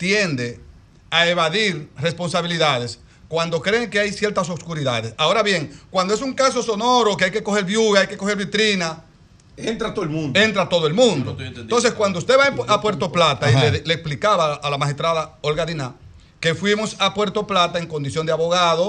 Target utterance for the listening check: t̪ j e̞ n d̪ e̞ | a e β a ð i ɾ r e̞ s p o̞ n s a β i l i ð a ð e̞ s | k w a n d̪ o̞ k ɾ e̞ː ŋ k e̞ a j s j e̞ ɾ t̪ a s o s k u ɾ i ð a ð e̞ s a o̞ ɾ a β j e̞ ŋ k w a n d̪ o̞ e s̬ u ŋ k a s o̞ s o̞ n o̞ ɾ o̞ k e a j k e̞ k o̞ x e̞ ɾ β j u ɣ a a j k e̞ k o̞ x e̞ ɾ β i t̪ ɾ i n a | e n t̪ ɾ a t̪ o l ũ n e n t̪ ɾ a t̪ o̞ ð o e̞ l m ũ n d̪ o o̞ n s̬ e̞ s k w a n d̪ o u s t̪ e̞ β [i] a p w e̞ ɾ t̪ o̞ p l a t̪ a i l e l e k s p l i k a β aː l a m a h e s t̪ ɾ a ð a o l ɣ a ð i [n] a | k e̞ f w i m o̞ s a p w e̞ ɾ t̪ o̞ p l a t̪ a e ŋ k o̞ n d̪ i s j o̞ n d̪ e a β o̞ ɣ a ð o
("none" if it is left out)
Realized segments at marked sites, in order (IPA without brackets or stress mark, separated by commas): a, n